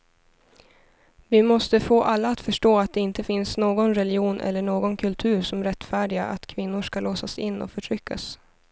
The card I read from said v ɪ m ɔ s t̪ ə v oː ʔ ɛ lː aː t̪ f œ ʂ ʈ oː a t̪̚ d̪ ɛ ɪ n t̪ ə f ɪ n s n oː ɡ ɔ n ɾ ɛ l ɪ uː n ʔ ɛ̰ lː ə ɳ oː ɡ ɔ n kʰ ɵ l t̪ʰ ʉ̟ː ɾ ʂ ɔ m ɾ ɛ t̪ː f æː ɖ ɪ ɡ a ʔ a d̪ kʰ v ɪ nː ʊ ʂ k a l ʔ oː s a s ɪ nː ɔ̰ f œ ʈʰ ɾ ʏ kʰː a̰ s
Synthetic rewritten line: v ɪ m ɔ s t̪ ə f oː ʔ a lː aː t̪ f œ ʂ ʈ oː a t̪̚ d̪ ɛ ɪ n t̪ ə f ɪ n s n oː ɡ ɔ n ɾ ɛ l ɪ uː n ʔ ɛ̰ lː ə ɳ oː ɡ ɔ n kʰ ɵ l t̪ʰ ʉ̟ː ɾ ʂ ɔ m ɾ ɛ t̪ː f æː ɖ ɪ ɡ a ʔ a t̪ kʰ v ɪ nː ʊ ʂ k a l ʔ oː s a s ɪ nː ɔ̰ f œ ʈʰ ɾ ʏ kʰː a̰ s